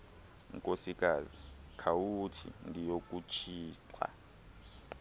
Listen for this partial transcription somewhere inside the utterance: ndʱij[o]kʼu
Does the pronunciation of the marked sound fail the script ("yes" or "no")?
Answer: no